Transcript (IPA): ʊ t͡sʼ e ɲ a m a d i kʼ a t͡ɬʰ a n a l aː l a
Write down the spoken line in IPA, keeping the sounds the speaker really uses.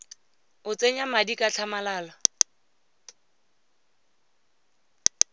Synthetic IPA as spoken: ʊ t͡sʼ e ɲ a m a d i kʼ a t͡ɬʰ a m a l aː l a